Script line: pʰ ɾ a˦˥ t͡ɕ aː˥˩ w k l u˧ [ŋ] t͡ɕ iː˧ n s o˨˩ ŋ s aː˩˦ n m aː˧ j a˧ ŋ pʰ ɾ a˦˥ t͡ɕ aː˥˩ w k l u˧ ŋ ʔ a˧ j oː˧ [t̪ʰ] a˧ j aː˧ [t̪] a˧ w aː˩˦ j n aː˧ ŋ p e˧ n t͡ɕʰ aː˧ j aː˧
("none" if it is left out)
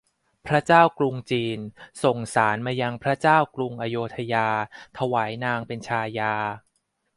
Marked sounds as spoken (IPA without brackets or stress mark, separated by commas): ŋ, t̪ʰ, t̪ʰ